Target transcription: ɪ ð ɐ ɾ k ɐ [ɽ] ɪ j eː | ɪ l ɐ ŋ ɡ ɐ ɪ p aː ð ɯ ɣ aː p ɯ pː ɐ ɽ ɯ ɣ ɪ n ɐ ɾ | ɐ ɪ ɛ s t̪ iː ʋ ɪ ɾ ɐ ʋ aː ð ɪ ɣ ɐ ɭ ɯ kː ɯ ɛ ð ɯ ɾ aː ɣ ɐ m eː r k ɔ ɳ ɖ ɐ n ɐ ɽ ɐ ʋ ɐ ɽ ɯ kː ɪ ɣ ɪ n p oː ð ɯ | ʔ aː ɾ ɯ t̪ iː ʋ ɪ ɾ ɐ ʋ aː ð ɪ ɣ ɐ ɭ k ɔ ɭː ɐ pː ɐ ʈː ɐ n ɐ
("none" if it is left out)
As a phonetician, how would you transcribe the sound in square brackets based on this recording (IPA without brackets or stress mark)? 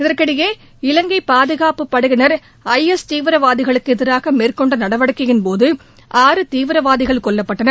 ɽ